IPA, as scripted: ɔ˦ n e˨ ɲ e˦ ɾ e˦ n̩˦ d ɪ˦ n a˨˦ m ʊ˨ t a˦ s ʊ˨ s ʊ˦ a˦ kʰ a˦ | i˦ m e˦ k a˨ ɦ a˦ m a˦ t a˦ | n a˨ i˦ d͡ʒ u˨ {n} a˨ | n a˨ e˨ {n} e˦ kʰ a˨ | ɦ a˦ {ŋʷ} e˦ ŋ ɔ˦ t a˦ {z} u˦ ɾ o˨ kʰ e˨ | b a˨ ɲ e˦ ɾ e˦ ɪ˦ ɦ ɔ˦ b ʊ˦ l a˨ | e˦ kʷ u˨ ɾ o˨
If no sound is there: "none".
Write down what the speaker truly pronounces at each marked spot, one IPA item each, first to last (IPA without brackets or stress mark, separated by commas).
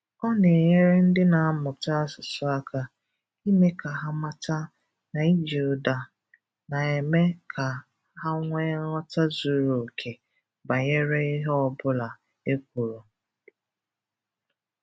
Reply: d, m, ŋʷ, z